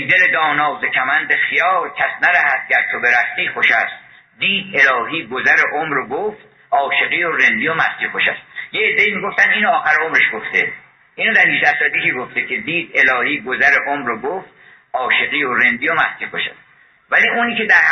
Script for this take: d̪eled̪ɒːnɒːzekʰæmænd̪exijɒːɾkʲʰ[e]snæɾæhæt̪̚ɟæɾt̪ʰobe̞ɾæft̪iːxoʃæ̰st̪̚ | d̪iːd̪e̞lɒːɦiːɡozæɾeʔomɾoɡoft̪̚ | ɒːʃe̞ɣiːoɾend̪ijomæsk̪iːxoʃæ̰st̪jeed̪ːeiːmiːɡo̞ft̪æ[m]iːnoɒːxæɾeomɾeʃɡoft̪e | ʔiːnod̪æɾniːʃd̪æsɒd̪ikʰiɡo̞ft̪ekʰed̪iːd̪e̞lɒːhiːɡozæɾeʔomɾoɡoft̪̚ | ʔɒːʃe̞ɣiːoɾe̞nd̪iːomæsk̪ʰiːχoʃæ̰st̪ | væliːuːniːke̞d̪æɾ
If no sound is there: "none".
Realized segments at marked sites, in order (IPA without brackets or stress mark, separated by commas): æ, n